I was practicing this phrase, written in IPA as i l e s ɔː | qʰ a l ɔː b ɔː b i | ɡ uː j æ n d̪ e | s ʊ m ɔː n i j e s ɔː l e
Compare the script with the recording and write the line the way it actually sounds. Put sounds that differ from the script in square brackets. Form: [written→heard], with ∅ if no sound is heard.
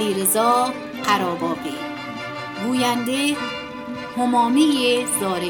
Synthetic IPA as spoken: i [l→ɾ] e [s→z] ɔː | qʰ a [l→ɾ] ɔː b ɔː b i | ɡ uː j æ n d̪ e | [s→h] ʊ m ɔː [n→m] i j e [s→z] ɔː [l→ɾ] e